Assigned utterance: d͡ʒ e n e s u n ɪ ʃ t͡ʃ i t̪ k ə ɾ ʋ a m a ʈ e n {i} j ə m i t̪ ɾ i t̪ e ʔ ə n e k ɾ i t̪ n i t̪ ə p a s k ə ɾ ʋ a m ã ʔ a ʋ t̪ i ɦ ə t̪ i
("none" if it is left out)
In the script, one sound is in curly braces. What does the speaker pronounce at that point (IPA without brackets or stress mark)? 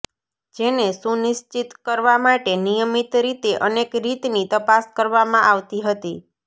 i